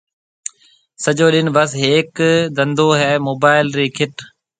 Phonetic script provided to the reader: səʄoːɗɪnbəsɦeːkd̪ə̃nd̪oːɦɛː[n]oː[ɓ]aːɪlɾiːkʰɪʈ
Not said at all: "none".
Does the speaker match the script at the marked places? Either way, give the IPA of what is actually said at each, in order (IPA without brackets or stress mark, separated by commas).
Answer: m, b